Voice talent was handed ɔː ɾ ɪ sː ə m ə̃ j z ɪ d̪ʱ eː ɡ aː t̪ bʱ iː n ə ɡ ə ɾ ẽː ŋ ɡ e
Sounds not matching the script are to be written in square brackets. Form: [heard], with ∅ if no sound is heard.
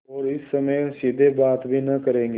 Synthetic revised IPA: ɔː ɾ ɪ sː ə m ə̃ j [s] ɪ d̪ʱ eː [b] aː t̪ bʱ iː n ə [k] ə ɾ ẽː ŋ ɡ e